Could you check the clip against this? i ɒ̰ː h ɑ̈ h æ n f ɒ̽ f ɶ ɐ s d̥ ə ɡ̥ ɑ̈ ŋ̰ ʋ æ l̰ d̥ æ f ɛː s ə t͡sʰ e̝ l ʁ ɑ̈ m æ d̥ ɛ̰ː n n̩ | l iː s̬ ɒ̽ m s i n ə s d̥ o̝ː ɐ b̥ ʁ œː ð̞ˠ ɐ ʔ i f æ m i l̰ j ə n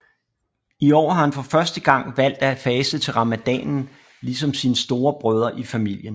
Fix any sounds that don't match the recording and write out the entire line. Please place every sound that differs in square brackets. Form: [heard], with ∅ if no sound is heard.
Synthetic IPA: i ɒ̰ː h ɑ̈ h æ n f ɒ̽ f ɶ ɐ s d̥ ə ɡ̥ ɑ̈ ŋ̰ ʋ æ l̰ d̥ æ f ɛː s ə t͡sʰ e̝ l ʁ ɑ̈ m æ d̥ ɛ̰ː n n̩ | l [i] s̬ ɒ̽ m s i n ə s d̥ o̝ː ɐ b̥ ʁ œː ð̞ˠ ɐ ʔ i f æ m i l̰ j ə n

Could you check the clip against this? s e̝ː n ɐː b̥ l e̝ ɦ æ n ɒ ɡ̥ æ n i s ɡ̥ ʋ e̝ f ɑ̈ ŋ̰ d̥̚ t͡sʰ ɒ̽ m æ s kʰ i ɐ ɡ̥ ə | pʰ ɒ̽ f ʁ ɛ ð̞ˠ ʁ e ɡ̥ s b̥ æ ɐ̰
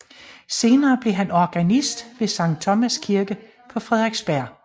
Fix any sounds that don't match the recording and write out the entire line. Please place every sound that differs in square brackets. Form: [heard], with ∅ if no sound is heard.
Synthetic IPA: s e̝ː n ɐː b̥ l e̝ ɦ æ n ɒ ɡ̥ æ n i s [d̥] ʋ e̝ [s] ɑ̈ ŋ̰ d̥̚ t͡sʰ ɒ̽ m æ s kʰ i ɐ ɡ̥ ə | pʰ ɒ̽ f ʁ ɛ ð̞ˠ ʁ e ɡ̥ s b̥ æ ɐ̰

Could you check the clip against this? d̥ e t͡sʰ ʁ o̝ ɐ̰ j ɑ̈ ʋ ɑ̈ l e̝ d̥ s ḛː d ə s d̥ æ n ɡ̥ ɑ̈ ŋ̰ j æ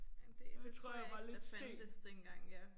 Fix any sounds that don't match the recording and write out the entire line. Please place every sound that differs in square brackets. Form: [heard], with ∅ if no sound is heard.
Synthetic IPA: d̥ e t͡sʰ ʁ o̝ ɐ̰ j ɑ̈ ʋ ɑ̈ l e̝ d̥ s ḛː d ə s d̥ [e] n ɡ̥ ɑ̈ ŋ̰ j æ

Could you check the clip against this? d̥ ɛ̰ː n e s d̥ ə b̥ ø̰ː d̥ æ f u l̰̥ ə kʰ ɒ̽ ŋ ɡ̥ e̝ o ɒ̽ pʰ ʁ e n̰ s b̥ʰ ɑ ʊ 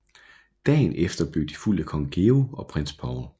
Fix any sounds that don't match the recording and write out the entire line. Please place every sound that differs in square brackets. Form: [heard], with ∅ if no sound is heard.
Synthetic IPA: d̥ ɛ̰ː n e [f] d̥ [ɐ] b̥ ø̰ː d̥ [i] f u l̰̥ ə kʰ ɒ̽ ŋ ɡ̥ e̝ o ɒ̽ pʰ ʁ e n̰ s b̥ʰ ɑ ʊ

